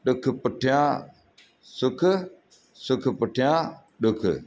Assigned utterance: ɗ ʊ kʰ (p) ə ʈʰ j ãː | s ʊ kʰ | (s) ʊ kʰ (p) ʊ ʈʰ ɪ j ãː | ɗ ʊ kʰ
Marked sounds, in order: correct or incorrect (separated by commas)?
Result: correct, correct, correct